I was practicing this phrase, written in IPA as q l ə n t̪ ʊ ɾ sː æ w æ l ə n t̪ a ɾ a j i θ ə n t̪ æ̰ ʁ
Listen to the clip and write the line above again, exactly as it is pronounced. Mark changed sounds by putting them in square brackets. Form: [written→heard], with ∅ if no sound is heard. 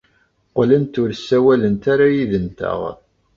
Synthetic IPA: q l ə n t̪ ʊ ɾ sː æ w æ l ə n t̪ a ɾ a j i [θ→ð] ə n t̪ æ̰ ʁ